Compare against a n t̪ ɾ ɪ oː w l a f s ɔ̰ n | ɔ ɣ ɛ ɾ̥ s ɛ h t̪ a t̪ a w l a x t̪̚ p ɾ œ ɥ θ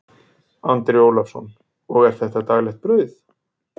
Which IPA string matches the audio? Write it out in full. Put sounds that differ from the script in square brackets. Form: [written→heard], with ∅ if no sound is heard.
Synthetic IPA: a n t̪ ɾ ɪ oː w l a f s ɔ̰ n | ɔ ɣ ɛ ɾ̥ [s→θ] ɛ h t̪ a t̪ a [w→ɣ] l [a→ɛ] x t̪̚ p ɾ œ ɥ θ

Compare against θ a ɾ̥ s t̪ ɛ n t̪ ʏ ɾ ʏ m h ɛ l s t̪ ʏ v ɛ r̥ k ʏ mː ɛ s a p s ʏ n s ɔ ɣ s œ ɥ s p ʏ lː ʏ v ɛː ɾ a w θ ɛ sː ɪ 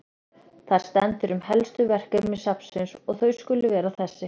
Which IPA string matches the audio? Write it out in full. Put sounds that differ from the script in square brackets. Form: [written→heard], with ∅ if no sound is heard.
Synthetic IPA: θ a ɾ̥ s t̪ ɛ n t̪ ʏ ɾ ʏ m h ɛ l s t̪ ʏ v ɛ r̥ k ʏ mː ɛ s a p s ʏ n s ɔ ɣ [s→θ] œ ɥ s [p→k] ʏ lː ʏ v ɛː ɾ a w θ ɛ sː ɪ

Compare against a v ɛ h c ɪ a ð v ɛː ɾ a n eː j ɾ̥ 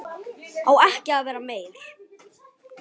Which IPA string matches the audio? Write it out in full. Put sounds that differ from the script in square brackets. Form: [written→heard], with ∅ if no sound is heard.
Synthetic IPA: a [v→w] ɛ h c ɪ a ð v ɛː ɾ a [n→m] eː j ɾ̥

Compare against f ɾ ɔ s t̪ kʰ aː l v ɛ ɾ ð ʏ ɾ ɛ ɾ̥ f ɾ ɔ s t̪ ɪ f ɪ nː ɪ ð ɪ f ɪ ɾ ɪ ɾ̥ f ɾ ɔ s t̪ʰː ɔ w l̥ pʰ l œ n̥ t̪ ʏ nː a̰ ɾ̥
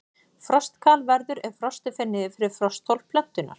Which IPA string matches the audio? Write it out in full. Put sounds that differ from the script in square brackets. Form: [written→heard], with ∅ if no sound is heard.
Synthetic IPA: f ɾ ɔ s t̪ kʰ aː l v ɛ ɾ ð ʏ ɾ ɛ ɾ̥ f ɾ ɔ s t̪ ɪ f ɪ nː ɪ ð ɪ f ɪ ɾ ɪ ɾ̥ f ɾ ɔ s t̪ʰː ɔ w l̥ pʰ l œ n̥ t̪ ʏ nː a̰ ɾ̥

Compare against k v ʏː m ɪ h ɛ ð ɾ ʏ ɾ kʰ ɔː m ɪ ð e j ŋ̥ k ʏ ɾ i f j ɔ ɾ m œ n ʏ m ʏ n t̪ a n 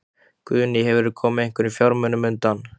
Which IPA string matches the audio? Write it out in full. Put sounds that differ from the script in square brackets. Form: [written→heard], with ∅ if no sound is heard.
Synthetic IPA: k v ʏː [m→n] ɪ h ɛ [ð→v] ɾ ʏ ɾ kʰ ɔː m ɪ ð e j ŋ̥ k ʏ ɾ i f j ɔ ɾ m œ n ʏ m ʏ n t̪ a n

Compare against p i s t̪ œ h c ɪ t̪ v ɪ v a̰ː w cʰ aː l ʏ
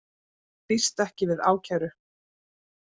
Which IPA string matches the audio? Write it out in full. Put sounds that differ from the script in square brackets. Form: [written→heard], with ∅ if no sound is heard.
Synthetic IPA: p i s t̪ [œ→ɛ] h c ɪ [t̪→∅] v ɪ [v→ð] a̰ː w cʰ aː [l→ɾ] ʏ

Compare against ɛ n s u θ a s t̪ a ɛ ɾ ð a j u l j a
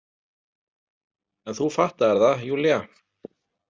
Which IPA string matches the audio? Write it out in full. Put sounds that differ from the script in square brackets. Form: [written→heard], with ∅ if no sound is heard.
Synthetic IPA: ɛ n [s→θ] u [θ→f] a [s→h] t̪ a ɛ ɾ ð a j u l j a

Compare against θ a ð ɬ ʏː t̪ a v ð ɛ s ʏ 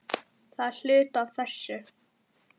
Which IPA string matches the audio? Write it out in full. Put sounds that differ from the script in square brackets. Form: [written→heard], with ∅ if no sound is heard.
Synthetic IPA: θ a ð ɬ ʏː t̪ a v [ð→θ] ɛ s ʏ

